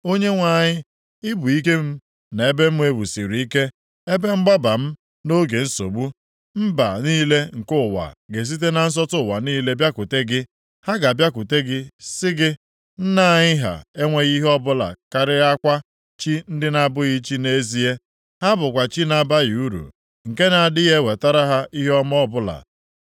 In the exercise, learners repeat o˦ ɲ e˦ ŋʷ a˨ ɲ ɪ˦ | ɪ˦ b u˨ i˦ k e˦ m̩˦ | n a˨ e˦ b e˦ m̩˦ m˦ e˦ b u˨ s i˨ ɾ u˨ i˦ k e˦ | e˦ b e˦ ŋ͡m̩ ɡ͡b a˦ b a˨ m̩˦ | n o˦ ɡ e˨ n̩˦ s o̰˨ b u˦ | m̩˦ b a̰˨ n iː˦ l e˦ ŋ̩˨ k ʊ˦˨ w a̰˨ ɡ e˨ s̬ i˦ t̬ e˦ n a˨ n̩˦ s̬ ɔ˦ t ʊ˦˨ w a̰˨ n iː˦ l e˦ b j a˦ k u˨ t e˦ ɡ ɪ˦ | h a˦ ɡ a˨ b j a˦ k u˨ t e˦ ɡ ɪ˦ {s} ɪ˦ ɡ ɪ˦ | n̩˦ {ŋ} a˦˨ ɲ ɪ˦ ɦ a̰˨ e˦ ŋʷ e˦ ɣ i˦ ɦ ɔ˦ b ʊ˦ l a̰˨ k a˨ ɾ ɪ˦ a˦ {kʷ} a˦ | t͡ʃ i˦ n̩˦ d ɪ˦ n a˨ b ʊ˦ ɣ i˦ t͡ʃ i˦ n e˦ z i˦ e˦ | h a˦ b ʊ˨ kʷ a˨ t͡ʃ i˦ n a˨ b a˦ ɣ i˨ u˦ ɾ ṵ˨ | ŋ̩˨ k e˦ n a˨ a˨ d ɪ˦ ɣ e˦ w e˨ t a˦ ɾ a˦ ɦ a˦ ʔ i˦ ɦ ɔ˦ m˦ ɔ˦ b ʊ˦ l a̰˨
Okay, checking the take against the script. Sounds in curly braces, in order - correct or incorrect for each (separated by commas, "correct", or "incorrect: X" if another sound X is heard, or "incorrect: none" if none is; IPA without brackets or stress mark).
correct, incorrect: n, correct